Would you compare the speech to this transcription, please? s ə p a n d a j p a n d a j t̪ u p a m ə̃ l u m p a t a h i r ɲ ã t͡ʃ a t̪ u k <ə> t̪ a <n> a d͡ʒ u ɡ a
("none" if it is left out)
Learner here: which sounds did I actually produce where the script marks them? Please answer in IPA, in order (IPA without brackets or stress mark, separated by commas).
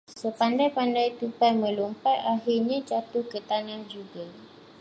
ə, n